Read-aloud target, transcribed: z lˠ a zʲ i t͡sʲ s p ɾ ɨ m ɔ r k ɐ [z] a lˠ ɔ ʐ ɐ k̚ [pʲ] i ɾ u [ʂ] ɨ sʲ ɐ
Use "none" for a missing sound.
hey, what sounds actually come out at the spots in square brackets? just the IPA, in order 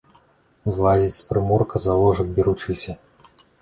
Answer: z, bʲ, t͡ʂ

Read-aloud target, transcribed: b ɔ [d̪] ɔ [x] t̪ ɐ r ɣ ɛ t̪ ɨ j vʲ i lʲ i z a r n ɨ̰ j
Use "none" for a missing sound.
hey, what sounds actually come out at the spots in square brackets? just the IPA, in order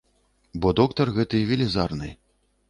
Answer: d̪, k

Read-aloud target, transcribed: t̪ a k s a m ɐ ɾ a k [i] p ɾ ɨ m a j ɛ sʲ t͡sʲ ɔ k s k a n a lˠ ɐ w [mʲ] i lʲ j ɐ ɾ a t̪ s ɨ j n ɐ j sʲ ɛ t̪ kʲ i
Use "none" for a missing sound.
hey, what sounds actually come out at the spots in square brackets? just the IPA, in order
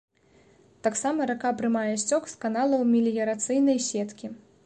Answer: a, mʲ

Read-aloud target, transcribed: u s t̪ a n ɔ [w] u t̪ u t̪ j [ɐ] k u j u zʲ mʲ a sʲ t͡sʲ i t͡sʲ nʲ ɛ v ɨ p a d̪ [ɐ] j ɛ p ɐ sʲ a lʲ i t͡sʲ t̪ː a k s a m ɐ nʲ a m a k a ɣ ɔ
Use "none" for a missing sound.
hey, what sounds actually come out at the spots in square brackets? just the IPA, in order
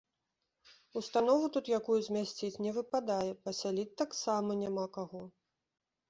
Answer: v, a, a

